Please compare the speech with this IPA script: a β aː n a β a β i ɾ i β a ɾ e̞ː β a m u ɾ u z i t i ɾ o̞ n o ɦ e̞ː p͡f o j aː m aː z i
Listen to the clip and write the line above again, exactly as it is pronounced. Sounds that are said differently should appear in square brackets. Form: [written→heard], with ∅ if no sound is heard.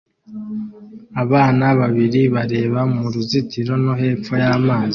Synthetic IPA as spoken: a β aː n a β a β i ɾ i β a ɾ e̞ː β a m u ɾ u z i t i ɾ o̞ n o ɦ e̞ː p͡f o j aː m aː z i